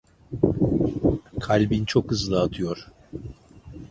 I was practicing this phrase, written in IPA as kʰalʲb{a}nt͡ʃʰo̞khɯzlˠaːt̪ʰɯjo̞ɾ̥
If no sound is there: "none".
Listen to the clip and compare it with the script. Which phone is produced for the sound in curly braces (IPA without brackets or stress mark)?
i